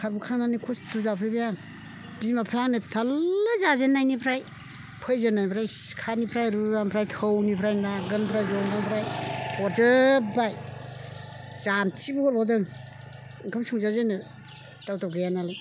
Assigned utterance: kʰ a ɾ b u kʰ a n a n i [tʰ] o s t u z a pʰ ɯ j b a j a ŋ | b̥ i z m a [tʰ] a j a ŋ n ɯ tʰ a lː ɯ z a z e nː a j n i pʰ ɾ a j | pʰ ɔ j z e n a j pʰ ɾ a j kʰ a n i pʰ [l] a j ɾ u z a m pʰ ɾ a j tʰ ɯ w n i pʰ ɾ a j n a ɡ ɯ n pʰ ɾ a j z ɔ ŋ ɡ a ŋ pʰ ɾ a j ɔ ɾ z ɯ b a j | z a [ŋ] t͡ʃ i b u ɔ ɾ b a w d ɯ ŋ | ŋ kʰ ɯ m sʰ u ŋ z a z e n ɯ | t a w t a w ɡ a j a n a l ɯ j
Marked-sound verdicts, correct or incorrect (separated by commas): incorrect, incorrect, incorrect, incorrect